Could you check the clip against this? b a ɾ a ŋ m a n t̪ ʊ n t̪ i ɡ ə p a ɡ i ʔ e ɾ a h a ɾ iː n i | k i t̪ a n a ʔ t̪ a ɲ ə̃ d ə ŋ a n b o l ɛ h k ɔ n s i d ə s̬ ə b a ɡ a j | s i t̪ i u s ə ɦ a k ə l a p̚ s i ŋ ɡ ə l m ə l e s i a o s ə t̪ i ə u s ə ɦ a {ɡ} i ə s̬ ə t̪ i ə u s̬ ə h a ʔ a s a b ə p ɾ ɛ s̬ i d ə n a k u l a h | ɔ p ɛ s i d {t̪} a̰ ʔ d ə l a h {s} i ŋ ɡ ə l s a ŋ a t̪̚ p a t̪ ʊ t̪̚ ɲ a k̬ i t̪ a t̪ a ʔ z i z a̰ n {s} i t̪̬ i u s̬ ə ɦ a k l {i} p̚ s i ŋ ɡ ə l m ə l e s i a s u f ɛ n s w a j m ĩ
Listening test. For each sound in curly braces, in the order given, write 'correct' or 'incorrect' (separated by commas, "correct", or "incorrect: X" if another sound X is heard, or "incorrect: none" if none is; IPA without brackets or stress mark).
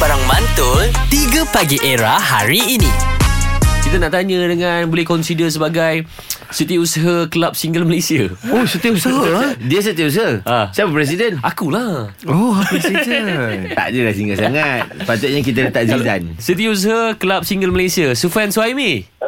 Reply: incorrect: d, correct, correct, correct, incorrect: a